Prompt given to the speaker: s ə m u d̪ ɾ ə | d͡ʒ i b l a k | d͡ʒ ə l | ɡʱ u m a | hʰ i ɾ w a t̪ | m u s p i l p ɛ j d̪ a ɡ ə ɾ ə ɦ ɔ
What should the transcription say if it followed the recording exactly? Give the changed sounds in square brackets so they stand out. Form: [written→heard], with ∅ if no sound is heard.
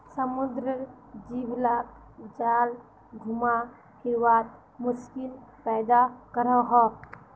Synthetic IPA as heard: s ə m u d̪ ɾ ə | d͡ʒ i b l a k | d͡ʒ [ə→a] l | ɡʱ u m a | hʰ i ɾ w a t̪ | m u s [p→k] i l p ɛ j d̪ a [ɡ→k] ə ɾ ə ɦ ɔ